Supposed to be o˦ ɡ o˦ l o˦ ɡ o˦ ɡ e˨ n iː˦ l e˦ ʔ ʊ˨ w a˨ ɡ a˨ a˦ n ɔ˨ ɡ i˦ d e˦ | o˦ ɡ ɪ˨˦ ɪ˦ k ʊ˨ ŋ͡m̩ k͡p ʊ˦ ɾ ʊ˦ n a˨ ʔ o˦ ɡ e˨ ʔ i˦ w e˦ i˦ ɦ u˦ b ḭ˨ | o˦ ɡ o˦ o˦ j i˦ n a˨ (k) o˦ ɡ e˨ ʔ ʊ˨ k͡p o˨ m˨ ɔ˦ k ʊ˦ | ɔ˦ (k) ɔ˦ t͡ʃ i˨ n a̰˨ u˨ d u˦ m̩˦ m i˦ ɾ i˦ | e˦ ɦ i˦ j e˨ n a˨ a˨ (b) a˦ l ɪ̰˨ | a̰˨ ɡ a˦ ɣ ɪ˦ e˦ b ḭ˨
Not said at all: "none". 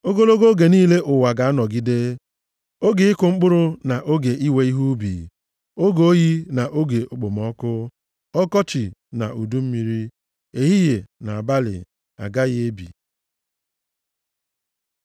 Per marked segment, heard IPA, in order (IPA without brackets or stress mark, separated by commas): ʔ, k, b